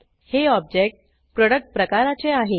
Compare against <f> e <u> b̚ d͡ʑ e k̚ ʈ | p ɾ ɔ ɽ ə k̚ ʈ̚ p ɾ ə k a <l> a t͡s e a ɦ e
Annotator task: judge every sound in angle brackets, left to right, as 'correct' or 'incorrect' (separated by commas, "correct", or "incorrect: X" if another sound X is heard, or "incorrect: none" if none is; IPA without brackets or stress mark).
incorrect: h, incorrect: ɔ, incorrect: ɾ